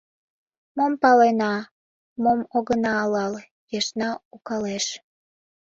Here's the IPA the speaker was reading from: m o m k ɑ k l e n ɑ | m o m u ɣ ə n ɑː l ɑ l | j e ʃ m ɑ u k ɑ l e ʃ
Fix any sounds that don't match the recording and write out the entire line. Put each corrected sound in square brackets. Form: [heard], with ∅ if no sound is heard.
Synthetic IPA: m o m [p] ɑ [∅] l e n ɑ | m o m [o] ɣ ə n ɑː l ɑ l | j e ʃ [n] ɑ u k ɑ l e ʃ